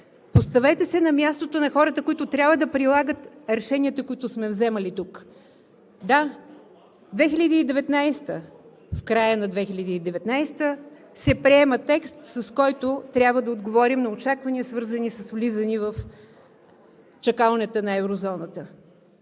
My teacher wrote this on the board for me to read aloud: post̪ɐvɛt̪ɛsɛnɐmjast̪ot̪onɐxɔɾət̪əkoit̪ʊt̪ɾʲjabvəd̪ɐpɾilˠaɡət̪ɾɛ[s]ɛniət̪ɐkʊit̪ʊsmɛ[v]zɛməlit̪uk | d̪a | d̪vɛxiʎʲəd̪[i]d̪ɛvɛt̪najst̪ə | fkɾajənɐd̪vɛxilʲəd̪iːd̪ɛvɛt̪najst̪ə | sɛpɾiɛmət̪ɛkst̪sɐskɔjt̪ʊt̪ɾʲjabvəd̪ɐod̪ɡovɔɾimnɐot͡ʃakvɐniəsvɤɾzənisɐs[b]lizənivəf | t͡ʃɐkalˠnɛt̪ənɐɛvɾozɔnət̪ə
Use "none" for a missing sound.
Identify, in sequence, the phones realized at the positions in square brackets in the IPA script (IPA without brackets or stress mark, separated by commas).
ʃ, v, iː, v